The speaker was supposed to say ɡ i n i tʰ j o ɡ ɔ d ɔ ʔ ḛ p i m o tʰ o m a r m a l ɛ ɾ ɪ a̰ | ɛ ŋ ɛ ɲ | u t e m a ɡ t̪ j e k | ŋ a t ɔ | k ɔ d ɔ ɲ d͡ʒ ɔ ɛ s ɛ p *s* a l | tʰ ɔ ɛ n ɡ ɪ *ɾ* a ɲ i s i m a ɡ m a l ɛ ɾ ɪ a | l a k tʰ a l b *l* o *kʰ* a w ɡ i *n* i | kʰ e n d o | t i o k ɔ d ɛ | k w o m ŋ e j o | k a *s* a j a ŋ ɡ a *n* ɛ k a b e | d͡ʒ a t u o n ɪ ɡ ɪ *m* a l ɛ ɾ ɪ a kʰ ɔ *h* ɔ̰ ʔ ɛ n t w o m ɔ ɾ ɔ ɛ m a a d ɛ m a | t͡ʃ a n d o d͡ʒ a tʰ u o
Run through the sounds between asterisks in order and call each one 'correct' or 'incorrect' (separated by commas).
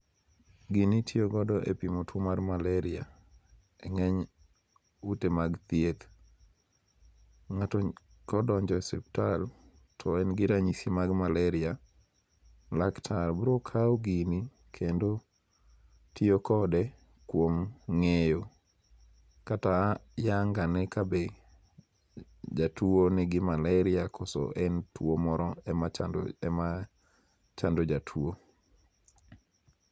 incorrect, correct, incorrect, correct, correct, incorrect, correct, correct, incorrect